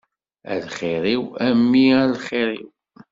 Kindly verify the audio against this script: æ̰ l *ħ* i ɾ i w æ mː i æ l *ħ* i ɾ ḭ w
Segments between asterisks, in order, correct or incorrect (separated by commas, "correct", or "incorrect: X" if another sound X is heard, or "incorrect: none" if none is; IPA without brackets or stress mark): incorrect: χ, incorrect: χ